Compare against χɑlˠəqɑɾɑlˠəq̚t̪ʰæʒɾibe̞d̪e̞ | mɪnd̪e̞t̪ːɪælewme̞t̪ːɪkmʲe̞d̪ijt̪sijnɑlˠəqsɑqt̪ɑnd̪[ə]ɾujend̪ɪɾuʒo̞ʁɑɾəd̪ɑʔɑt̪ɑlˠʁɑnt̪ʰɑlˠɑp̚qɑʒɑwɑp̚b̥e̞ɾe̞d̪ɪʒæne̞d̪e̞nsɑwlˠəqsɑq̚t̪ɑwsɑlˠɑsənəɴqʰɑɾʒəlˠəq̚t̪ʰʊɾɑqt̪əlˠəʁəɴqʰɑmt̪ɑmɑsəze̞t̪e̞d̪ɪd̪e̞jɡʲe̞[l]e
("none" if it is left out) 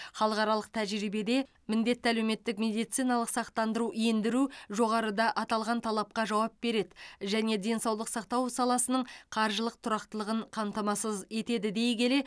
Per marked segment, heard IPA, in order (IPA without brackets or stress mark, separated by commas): ə, l